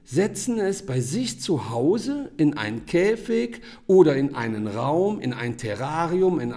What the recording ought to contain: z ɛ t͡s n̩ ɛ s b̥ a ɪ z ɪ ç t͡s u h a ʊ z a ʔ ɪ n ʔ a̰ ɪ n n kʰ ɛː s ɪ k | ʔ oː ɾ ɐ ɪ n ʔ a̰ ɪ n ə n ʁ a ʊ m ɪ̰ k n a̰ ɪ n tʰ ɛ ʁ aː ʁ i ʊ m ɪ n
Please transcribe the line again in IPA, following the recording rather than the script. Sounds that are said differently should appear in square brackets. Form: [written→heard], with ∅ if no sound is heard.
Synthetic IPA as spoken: z ɛ t͡s n̩ ɛ s b̥ a ɪ z ɪ ç t͡s u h a ʊ z [a→ə] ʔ ɪ n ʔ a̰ ɪ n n kʰ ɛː [s→f] ɪ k | ʔ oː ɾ ɐ ɪ n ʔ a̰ ɪ n ə n ʁ a ʊ m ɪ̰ [k→∅] n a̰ ɪ n tʰ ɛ ʁ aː ʁ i ʊ m ɪ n